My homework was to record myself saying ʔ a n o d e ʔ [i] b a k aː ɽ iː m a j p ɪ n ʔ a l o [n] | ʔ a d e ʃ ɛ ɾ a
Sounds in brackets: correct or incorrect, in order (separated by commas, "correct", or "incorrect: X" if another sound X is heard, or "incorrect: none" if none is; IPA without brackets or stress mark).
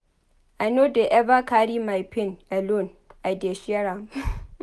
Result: incorrect: ɛ, correct